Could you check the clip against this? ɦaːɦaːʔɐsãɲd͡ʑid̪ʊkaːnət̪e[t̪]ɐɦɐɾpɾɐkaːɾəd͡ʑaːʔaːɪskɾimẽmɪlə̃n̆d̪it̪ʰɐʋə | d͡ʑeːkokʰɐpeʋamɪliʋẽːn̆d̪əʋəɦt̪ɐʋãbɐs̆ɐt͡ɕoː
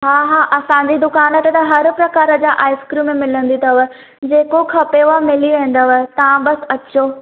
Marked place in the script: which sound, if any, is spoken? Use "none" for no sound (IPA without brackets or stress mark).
t̪